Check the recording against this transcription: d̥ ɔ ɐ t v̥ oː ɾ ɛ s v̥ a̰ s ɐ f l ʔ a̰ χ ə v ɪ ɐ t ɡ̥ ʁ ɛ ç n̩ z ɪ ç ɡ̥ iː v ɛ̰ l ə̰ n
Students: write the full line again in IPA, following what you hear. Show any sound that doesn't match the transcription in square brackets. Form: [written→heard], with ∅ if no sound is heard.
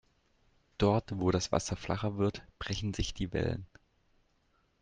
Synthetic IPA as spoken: d̥ ɔ ɐ t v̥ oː ɾ [ɛ→a] s v̥ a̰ s ɐ f l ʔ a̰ χ [ə→ɐ] v ɪ ɐ t [ɡ̥→b̥] ʁ ɛ ç n̩ z ɪ ç [ɡ̥→d̥] iː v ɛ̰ l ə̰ n